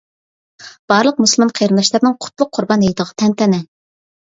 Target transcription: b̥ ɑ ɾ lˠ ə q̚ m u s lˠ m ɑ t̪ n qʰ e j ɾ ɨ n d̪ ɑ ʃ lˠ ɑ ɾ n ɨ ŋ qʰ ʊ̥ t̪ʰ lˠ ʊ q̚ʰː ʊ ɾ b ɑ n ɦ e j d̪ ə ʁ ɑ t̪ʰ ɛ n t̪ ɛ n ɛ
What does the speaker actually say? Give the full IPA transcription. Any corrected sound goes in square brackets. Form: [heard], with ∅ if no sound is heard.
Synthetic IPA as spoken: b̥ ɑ ɾ lˠ ə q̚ m u s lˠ m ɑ [∅] n qʰ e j ɾ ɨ n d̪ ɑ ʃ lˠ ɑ ɾ n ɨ ŋ qʰ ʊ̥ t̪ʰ lˠ ʊ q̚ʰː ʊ ɾ b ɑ n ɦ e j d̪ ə ʁ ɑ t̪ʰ ɛ n t̪ ɛ n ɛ

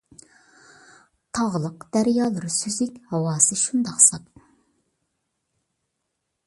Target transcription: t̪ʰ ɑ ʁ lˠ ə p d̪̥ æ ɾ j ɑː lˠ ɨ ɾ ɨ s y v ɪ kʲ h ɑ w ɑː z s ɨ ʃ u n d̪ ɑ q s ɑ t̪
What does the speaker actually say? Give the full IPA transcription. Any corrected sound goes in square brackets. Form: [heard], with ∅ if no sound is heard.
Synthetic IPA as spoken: t̪ʰ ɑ ʁ lˠ ə [q] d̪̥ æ ɾ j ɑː lˠ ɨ ɾ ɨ s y [z] ɪ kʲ h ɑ w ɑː [∅] s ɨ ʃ u n d̪ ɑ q s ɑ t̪

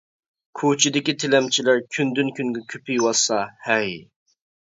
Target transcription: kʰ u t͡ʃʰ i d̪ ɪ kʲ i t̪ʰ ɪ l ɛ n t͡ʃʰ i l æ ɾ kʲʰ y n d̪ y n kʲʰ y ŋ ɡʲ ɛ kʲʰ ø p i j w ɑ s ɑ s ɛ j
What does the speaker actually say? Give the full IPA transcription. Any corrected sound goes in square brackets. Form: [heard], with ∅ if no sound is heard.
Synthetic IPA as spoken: kʰ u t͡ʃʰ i d̪ ɪ kʲ i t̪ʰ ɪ l ɛ [m] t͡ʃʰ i l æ ɾ kʲʰ y n d̪ y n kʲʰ y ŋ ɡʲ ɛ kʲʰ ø p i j w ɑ s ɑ [h] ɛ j

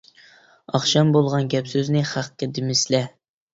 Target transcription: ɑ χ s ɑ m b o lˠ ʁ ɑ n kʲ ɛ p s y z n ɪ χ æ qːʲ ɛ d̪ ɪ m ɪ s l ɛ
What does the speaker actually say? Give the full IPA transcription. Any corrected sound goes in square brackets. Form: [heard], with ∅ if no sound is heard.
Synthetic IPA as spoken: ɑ χ [ʃ] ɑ m b o lˠ ʁ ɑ n [ɡʲ] ɛ p s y z n ɪ χ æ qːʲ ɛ d̪ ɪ m ɪ s l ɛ

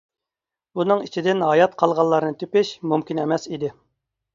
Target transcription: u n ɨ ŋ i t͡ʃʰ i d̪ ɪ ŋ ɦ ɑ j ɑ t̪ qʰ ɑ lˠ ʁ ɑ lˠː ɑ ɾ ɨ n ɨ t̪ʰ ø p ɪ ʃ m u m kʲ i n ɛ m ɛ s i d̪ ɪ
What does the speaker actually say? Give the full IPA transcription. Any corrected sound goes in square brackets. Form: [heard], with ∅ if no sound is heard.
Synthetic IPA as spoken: u n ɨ ŋ i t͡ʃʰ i d̪ ɪ [n] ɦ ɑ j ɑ t̪ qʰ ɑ lˠ ʁ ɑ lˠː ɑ ɾ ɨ n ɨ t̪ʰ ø p ɪ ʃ m u m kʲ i n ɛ m ɛ s i d̪ ɪ

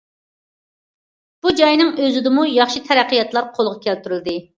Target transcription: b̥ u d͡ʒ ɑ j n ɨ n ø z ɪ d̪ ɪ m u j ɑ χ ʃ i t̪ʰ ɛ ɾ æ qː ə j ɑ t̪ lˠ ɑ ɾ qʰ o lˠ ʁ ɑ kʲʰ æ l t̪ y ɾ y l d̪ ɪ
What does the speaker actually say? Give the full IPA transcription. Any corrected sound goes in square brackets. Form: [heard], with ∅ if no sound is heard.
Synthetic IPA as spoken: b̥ u d͡ʒ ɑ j n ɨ [ŋ] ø z ɪ d̪ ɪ m u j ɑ χ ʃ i t̪ʰ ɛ ɾ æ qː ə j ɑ t̪ lˠ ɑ ɾ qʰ o lˠ ʁ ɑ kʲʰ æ l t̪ y ɾ y l d̪ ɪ

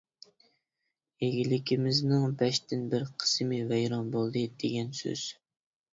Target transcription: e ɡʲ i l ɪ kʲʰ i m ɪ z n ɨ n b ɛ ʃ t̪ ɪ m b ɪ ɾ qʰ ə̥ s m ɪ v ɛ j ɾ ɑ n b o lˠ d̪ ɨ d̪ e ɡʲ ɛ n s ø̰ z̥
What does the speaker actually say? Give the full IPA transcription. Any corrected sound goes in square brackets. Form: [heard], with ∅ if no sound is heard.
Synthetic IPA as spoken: e ɡʲ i l ɪ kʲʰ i m ɪ z n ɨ [ŋ] b ɛ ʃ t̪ ɪ [n] b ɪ ɾ qʰ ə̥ s m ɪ v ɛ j ɾ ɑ n b o lˠ d̪ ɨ d̪ e ɡʲ ɛ n s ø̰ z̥

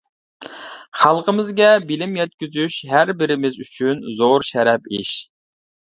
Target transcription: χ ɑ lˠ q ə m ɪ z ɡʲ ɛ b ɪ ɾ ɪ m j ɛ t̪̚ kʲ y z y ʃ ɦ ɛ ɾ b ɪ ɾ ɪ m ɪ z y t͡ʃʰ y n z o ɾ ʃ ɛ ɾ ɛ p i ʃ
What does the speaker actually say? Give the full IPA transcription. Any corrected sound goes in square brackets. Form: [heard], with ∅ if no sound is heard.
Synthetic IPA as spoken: χ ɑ lˠ q ə m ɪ z ɡʲ ɛ b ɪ [l] ɪ m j ɛ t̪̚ kʲ y z y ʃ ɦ [æ] ɾ b ɪ ɾ ɪ m ɪ z y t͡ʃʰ y n z o ɾ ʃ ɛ ɾ ɛ p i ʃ

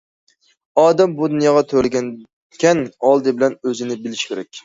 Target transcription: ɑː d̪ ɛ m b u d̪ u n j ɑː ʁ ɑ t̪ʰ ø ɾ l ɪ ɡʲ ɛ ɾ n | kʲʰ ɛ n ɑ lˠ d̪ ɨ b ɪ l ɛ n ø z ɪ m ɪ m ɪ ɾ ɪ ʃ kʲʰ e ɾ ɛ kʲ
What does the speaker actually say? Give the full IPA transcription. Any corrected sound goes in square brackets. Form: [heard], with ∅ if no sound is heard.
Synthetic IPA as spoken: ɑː d̪ ɛ m b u d̪ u n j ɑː ʁ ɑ t̪ʰ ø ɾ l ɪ ɡʲ ɛ [∅] n | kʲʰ ɛ n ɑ lˠ d̪ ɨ b ɪ l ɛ n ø z ɪ [n] ɪ [b] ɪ [l] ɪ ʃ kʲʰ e ɾ ɛ kʲ

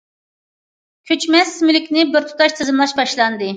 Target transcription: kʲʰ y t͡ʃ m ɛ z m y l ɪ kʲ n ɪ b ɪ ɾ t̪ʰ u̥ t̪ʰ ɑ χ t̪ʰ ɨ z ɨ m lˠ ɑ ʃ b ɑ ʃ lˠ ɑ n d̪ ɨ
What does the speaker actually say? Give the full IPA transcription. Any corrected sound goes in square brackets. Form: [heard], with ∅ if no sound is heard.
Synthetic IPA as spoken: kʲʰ y t͡ʃ m ɛ [s] m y l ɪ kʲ n ɪ b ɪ ɾ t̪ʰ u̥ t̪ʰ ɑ [ʃ] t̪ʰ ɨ z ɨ m lˠ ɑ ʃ b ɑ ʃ lˠ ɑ n d̪ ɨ

